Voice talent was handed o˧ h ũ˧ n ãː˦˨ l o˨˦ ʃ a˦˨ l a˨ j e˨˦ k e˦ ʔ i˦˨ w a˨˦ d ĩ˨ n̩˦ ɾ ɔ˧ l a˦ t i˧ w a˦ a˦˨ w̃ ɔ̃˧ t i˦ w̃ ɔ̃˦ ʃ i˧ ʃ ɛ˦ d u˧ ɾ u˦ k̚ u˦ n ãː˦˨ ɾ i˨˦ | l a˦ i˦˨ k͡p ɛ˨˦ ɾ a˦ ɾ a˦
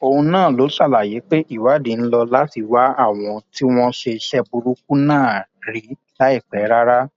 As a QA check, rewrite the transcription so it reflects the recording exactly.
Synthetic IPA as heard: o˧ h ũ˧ n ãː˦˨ l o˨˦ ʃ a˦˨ l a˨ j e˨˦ k͡p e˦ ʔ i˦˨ w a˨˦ d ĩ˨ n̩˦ l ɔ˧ l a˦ t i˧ w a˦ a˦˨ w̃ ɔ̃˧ t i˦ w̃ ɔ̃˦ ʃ e˧ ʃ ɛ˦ b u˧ ɾ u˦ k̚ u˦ n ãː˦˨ ɾ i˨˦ | l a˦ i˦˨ k͡p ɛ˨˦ ɾ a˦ ɾ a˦